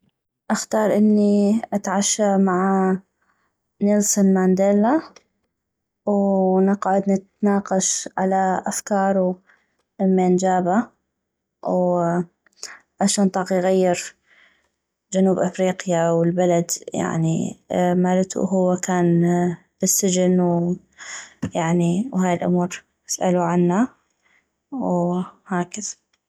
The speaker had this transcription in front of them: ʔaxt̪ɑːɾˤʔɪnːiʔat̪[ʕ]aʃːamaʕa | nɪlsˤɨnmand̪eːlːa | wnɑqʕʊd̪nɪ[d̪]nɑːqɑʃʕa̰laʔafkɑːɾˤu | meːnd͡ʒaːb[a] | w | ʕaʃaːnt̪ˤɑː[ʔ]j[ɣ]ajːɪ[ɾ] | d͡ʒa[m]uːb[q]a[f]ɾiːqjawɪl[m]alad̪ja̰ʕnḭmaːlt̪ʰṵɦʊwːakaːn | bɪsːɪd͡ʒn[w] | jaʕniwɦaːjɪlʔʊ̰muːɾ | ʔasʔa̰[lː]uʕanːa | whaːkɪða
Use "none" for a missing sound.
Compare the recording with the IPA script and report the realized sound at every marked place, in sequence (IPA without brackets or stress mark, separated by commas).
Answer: ʕ, t̪, a, q, ɣ, ɾ, n, ʔ, f, b, w, l